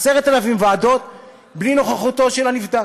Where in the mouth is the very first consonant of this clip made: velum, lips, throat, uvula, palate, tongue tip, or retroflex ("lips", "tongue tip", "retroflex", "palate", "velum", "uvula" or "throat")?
tongue tip